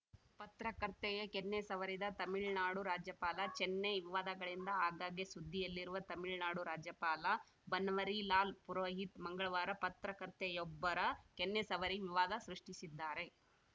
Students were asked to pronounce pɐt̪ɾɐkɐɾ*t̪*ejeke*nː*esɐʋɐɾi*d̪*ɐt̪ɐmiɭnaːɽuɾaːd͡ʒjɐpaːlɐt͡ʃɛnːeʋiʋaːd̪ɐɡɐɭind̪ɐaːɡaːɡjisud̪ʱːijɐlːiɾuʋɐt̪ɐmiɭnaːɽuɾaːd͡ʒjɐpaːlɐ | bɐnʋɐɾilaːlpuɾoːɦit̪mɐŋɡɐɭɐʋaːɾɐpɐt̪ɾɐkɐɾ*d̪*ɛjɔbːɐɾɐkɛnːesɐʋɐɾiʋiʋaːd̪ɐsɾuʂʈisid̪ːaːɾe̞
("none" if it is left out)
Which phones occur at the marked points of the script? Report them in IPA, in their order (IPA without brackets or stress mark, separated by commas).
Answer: t̪, nː, d̪, t̪